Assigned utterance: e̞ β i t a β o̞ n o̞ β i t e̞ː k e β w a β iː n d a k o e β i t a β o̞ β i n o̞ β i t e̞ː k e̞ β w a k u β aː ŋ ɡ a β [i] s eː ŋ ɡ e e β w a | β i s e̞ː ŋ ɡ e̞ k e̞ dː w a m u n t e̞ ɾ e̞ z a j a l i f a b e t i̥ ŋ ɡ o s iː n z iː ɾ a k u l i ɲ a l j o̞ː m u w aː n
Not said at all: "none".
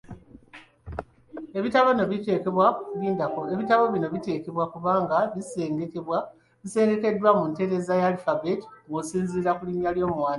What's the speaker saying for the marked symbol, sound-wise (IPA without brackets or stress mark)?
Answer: i